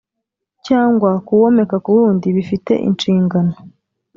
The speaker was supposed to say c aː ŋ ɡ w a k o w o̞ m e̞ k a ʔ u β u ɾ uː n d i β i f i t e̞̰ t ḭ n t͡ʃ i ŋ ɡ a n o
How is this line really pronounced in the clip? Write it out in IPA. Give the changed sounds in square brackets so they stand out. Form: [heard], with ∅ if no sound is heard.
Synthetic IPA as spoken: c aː ŋ ɡ w a k [u] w o̞ m e̞ k a [k] u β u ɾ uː n d i β i f i t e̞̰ [ʔ] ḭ n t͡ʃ [iː] ŋ ɡ a n o